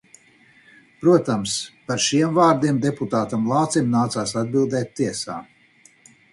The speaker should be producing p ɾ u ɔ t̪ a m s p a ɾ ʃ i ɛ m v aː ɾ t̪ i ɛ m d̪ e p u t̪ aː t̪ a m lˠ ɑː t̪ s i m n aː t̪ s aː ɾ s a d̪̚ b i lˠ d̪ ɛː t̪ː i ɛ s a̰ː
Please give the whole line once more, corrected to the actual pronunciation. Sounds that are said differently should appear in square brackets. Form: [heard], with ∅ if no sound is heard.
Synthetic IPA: p ɾ u ɔ t̪ a m s p a ɾ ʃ i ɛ m v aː ɾ [d̪] i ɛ m d̪ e p u t̪ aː t̪ a m lˠ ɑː t̪ s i m n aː t̪ s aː [∅] s a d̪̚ b i lˠ d̪ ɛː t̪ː i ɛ s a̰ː